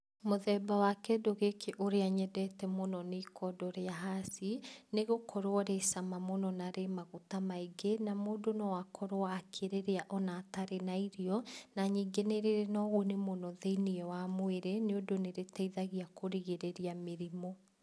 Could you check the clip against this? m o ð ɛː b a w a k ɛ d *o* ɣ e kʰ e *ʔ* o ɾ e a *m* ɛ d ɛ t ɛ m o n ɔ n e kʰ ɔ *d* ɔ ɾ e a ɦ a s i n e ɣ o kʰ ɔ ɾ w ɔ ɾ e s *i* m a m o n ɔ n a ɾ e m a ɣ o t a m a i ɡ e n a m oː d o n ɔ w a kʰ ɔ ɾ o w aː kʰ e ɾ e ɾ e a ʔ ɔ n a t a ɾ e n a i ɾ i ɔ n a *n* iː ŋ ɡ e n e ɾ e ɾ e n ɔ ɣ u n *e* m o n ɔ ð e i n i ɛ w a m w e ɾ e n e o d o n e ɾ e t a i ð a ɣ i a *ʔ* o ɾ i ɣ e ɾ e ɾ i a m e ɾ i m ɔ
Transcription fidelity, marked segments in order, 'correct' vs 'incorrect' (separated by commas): correct, correct, incorrect, correct, incorrect, incorrect, correct, incorrect